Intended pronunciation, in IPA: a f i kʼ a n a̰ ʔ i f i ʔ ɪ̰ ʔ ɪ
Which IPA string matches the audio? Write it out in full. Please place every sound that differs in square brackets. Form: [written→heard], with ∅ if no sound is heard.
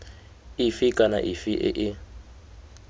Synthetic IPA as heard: [a→i] f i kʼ a n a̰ ʔ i f i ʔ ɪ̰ ʔ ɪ